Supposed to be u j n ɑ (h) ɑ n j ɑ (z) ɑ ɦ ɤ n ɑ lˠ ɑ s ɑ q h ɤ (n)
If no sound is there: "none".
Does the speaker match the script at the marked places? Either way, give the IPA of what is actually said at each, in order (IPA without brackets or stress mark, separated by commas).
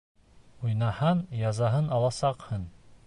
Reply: h, z, n